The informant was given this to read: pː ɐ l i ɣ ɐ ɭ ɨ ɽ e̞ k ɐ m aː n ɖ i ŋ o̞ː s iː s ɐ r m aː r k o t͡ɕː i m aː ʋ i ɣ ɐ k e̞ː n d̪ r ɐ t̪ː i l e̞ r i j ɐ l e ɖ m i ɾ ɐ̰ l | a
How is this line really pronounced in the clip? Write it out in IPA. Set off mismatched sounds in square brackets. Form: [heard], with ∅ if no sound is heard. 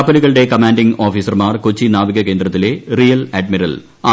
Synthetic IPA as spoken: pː ɐ l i ɣ ɐ ɭ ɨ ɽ e̞ k ɐ m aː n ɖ i ŋ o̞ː [f] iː s ɐ r m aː r k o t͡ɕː i [n] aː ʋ i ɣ ɐ k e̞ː n d̪ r ɐ t̪ː i l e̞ r i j ɐ l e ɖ m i ɾ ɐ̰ l | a